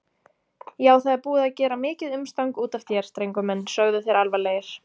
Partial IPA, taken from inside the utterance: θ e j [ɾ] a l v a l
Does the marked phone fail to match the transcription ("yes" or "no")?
no